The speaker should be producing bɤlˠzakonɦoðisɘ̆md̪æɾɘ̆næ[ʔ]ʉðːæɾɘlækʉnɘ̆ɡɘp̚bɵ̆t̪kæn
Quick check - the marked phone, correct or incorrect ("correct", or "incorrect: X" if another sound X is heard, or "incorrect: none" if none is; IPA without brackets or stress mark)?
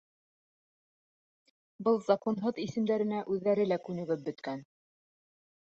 correct